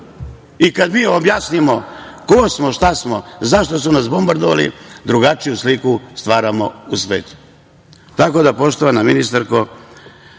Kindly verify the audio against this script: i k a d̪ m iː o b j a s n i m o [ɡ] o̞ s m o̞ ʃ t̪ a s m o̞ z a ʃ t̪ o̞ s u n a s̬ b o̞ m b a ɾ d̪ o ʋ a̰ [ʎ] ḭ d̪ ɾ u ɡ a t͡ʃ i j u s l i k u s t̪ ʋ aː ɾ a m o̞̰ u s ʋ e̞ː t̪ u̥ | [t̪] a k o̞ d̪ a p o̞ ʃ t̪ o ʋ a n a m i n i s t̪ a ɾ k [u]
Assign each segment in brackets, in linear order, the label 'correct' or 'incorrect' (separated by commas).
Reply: incorrect, incorrect, correct, incorrect